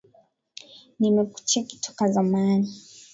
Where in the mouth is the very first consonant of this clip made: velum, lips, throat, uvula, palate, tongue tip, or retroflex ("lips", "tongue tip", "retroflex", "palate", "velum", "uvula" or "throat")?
tongue tip